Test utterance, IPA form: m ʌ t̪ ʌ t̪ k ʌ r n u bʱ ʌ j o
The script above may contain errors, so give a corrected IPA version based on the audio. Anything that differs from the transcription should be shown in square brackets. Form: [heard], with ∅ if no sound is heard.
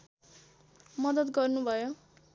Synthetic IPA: m ʌ [d̪] ʌ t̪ [ɡ] ʌ r n u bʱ ʌ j o

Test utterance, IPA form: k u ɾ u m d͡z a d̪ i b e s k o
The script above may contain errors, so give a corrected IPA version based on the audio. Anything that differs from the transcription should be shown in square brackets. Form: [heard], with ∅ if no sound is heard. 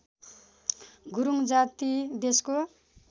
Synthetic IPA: [ɡ] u ɾ u [ŋ] d͡z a [t̪] i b e s k o

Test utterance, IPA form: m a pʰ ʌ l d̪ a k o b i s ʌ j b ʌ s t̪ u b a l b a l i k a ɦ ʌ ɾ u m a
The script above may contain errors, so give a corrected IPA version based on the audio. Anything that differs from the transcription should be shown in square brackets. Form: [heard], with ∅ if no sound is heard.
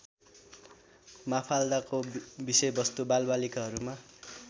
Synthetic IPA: m a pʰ [a] l d̪ a k o b i s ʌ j b ʌ s t̪ u b a l b a l i k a ɦ ʌ ɾ u m a

